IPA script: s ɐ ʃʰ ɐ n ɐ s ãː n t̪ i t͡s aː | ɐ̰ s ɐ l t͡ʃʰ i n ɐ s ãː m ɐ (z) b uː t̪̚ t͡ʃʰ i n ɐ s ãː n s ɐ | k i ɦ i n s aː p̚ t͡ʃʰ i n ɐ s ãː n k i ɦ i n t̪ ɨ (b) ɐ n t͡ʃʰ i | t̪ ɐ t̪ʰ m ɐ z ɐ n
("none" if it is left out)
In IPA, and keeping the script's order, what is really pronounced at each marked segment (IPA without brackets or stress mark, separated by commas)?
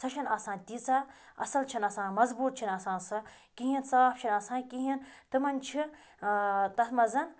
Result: z, m